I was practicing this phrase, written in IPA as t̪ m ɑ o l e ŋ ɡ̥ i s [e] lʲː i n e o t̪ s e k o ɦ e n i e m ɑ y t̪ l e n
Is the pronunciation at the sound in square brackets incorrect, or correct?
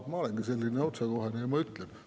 correct